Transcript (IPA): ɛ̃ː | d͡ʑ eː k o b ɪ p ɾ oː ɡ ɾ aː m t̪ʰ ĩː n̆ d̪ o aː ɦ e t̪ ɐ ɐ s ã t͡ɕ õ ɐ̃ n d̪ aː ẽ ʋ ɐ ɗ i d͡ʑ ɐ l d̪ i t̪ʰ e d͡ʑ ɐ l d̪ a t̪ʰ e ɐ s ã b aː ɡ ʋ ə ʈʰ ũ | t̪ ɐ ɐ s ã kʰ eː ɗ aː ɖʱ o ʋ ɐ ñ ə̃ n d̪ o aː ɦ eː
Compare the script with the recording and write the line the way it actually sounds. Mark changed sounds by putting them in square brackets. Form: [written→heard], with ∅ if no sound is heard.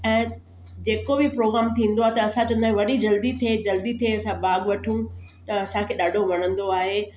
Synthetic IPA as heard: ɛ̃ː | d͡ʑ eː k o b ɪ p ɾ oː ɡ ɾ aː m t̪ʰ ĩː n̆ d̪ o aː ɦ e t̪ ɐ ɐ s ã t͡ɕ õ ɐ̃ n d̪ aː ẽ ʋ ɐ ɗ i d͡ʑ ɐ l d̪ i t̪ʰ e d͡ʑ ɐ l d̪ [a→i] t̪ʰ e ɐ s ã b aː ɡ ʋ [ə→ɐ] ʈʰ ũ | t̪ ɐ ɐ s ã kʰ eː ɗ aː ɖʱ o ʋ ɐ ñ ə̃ n d̪ o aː ɦ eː

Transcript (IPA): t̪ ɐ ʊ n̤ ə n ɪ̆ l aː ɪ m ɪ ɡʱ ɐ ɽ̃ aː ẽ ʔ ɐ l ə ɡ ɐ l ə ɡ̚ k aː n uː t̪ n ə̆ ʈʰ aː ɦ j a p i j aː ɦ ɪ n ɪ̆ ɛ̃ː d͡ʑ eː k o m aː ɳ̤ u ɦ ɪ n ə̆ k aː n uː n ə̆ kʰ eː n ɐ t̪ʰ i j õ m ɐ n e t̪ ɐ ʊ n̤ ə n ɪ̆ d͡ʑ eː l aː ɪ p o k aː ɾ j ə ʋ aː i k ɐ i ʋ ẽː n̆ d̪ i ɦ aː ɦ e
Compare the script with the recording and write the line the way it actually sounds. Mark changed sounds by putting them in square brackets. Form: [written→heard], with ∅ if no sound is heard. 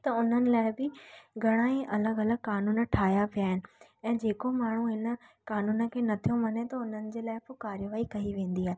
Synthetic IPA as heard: t̪ ɐ ʊ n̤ ə n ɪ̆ l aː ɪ [m→b] ɪ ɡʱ ɐ ɽ̃ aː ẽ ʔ ɐ l ə ɡ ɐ l ə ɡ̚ k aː n uː [t̪→∅] n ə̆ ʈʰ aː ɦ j a p i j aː ɦ ɪ n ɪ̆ ɛ̃ː d͡ʑ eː k o m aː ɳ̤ u ɦ ɪ n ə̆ k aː n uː n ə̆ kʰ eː n ɐ t̪ʰ i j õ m ɐ n e t̪ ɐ ʊ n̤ ə n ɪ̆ d͡ʑ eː l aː ɪ p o k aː ɾ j ə ʋ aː i k ɐ i ʋ ẽː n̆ d̪ i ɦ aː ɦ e

